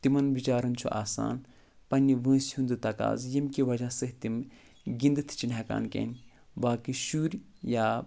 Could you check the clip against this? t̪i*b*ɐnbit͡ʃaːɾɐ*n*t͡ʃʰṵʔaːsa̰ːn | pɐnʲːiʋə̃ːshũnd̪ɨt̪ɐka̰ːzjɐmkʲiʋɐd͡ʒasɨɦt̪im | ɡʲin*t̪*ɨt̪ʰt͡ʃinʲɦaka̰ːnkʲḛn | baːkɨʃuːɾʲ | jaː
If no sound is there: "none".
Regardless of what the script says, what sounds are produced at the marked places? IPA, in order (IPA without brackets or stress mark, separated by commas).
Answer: m, n, d̪